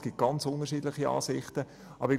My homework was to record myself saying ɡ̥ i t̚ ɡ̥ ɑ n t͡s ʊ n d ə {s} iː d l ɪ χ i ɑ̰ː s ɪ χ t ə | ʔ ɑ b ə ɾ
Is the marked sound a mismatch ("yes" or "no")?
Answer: yes